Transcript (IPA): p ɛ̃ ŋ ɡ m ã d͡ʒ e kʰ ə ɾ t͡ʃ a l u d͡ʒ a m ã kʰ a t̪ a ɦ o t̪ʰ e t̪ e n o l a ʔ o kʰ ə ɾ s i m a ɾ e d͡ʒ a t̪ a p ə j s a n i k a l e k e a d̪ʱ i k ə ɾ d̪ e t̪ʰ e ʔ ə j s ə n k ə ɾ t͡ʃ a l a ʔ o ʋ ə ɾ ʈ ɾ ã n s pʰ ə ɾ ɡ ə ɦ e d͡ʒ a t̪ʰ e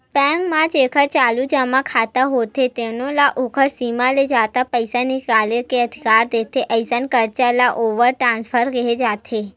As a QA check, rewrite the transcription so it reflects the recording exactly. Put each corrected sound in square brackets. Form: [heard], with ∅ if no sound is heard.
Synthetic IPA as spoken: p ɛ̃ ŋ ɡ m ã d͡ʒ e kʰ ə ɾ t͡ʃ a l u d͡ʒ a m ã kʰ a t̪ a ɦ o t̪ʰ e t̪ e n o l a ʔ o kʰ ə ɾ s i m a [l] e d͡ʒ a t̪ a p ə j s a n i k a l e k e [ə] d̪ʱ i k [a] ɾ d̪ e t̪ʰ e ʔ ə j s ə n k ə ɾ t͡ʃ a l a ʔ o ʋ ə ɾ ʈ ɾ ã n s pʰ ə ɾ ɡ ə ɦ e d͡ʒ a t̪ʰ e

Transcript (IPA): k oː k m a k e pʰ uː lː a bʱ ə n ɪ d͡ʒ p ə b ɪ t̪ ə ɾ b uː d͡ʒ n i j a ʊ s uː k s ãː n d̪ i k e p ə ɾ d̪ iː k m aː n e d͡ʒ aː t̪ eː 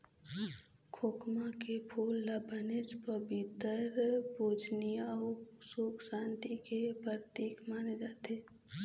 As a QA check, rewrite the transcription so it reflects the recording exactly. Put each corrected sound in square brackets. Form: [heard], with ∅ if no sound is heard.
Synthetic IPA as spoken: [kʰ] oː k m a k e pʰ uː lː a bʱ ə n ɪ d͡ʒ p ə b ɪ t̪ ə ɾ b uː d͡ʒ n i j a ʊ s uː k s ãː n [t̪] i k e p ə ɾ [t̪] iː k m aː n e d͡ʒ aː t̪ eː

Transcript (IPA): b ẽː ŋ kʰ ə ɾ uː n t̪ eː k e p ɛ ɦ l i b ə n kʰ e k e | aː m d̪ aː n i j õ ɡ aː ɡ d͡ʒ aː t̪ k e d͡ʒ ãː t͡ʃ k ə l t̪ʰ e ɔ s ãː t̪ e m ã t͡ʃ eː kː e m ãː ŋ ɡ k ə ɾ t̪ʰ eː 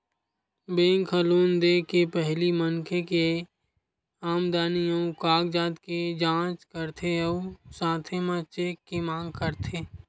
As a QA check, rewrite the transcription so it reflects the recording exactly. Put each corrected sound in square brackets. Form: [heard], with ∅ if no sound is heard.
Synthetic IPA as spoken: b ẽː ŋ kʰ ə [l] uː n [d̪] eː k e p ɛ ɦ l i [m] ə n kʰ e k e | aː m d̪ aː n i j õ [k] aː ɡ d͡ʒ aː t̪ k e d͡ʒ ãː t͡ʃ k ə [ɾ] t̪ʰ e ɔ s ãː [t̪ʰ] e m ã t͡ʃ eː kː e m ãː ŋ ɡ k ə ɾ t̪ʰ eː

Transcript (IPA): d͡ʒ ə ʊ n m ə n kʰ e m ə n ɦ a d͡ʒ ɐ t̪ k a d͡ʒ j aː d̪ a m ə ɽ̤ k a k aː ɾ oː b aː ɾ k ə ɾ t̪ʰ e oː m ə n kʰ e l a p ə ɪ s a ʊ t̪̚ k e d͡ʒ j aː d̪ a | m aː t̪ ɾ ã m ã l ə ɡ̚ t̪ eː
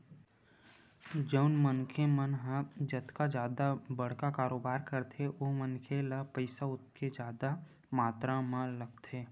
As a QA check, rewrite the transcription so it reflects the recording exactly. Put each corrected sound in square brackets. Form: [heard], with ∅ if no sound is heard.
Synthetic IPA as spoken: d͡ʒ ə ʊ n m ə n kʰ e m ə n ɦ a d͡ʒ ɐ t̪ k a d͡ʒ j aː d̪ a [b] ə ɽ̤ k a k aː ɾ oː b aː ɾ k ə ɾ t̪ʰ e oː m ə n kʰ e l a p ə ɪ s a ʊ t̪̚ k e d͡ʒ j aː d̪ a | m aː t̪ ɾ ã m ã l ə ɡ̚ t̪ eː

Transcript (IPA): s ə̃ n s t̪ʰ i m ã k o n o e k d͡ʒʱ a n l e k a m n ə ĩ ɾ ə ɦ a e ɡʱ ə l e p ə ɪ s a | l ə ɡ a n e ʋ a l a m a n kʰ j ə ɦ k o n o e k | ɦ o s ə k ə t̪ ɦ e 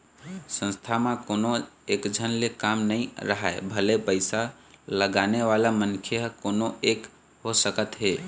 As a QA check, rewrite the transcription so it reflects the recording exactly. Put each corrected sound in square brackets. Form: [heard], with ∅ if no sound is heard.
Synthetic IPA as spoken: s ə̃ n s t̪ʰ [a] m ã k o n o e k d͡ʒʱ [ə] n l e k a m n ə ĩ ɾ ə ɦ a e [bʱ] ə l e p ə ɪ s a | l ə ɡ a n e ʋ a l a m [ə] n kʰ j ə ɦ k o n o e k | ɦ o s ə k ə t̪ ɦ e

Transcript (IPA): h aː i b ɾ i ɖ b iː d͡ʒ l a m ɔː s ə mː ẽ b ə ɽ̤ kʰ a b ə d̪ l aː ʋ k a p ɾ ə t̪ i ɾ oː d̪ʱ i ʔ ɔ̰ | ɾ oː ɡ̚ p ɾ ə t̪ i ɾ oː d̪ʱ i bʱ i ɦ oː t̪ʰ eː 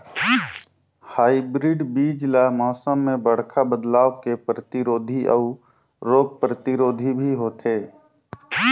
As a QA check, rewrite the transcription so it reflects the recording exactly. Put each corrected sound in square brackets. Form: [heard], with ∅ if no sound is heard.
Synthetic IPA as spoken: h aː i b ɾ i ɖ b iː d͡ʒ l a m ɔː s ə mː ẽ b ə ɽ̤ kʰ a b ə d̪ l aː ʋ k [e] p ɾ ə t̪ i ɾ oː d̪ʱ i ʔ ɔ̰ | ɾ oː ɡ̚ p ɾ ə t̪ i ɾ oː d̪ʱ i bʱ i ɦ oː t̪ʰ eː

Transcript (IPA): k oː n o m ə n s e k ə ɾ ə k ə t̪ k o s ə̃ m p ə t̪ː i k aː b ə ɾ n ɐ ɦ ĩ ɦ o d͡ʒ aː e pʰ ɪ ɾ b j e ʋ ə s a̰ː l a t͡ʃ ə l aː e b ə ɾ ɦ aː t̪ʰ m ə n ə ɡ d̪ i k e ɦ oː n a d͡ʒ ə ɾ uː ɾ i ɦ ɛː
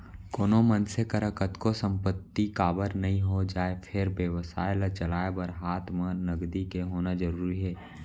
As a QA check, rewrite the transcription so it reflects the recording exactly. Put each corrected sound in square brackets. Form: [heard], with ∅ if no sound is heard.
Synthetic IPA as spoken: k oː n o m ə n s e k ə ɾ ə k ə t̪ k o s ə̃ m p ə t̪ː i k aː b ə ɾ n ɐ ɦ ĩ ɦ o d͡ʒ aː e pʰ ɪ ɾ b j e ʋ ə s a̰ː l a t͡ʃ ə l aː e b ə ɾ ɦ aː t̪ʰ m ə n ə ɡ d̪ i k e ɦ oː n a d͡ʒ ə ɾ uː ɾ i ɦ ɛː

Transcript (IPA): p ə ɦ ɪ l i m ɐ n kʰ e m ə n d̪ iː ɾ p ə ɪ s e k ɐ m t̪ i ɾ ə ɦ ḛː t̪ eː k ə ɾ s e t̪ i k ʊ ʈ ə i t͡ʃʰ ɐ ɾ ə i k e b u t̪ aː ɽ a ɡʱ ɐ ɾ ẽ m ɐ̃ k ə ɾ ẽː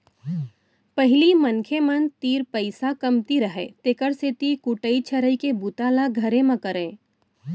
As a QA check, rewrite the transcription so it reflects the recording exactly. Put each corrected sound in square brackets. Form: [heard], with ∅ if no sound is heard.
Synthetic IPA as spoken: p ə ɦ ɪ l i m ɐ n kʰ e m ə n [t̪] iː ɾ p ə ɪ s [a] k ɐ m t̪ i ɾ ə ɦ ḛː t̪ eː k ə ɾ s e t̪ i k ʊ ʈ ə i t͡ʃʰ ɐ ɾ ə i k e b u t̪ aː [l] a ɡʱ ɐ ɾ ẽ m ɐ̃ k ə ɾ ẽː

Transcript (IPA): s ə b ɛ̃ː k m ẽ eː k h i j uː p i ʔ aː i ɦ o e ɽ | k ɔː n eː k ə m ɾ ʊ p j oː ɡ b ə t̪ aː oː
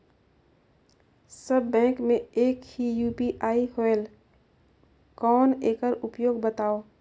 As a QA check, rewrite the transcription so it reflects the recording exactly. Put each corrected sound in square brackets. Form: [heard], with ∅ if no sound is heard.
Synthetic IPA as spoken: s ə [bː] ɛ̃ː k m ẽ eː k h i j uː p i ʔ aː i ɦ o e [l] | k ɔː n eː k ə [∅] ɾ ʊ p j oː ɡ b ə t̪ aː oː

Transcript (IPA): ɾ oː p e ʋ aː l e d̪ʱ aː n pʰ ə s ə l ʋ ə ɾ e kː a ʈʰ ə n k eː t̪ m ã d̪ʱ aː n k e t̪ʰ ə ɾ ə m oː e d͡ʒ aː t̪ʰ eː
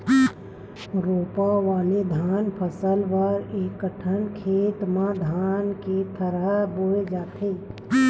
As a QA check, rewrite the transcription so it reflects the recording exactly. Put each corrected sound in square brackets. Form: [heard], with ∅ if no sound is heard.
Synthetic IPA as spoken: ɾ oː p [a] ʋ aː l e d̪ʱ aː n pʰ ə s ə l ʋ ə ɾ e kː [ə] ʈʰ ə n [kʰ] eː t̪ m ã d̪ʱ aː n k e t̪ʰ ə ɾ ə [b] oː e d͡ʒ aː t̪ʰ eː

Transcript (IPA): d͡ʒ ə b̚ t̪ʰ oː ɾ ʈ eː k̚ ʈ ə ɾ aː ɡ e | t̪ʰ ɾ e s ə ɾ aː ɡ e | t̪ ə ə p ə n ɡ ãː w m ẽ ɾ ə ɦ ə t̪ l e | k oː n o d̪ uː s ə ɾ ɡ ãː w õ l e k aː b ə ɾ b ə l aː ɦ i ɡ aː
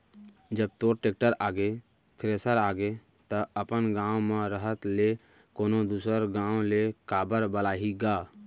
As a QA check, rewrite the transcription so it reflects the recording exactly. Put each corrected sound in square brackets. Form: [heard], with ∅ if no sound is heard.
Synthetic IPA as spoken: d͡ʒ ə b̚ [t̪] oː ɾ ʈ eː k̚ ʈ ə ɾ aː ɡ e | t̪ʰ ɾ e s ə ɾ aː ɡ e | t̪ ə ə p ə n ɡ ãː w m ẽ ɾ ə ɦ ə t̪ l e | k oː n o d̪ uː s ə ɾ ɡ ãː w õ l e k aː b ə ɾ b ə l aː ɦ i ɡ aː

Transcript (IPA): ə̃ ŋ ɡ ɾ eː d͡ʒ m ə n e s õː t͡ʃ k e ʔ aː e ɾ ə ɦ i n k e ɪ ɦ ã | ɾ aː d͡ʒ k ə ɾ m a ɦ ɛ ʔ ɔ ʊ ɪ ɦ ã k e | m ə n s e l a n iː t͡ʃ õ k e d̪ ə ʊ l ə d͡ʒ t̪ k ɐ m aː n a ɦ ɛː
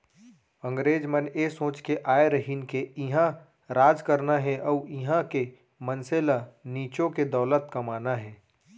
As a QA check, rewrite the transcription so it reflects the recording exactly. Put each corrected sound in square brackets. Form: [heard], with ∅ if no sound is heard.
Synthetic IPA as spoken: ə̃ ŋ ɡ ɾ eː d͡ʒ m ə n e s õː t͡ʃ k e ʔ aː e ɾ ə ɦ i n k e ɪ ɦ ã | ɾ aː d͡ʒ k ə ɾ [n] a ɦ ɛ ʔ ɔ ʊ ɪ ɦ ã k e | m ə n s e l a n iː t͡ʃ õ k e d̪ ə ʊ l ə [∅] t̪ k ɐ m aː n a ɦ ɛː

